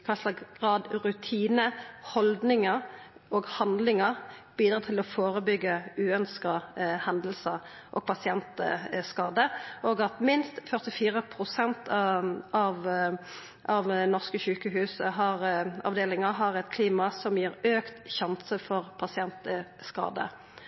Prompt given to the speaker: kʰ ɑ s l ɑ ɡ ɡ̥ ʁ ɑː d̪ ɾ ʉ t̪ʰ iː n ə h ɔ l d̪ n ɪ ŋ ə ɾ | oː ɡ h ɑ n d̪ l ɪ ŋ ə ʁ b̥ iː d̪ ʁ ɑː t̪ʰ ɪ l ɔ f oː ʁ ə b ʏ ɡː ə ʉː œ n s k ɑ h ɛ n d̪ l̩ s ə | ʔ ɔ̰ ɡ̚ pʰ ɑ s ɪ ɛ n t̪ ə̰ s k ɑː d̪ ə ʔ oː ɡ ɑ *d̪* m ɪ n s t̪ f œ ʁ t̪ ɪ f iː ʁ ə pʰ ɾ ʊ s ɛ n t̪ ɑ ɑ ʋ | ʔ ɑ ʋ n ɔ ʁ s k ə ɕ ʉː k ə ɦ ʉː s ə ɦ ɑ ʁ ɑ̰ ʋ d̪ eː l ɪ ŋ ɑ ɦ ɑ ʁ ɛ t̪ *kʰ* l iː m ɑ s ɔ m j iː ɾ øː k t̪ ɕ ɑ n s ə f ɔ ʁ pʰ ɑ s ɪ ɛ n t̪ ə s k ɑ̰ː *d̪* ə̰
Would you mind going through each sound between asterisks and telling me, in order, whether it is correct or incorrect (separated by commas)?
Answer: incorrect, correct, correct